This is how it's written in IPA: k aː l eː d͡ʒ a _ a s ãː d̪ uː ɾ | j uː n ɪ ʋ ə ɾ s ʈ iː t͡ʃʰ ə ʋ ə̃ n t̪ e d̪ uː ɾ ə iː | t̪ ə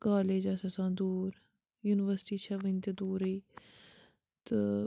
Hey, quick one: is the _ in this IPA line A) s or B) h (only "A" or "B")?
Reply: A